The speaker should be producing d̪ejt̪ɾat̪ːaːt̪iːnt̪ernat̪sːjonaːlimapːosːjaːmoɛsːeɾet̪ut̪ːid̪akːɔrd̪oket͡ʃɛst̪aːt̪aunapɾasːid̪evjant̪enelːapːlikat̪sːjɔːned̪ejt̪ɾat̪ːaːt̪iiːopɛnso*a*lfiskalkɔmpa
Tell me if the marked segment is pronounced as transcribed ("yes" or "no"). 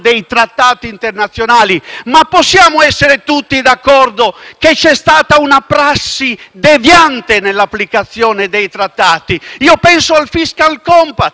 yes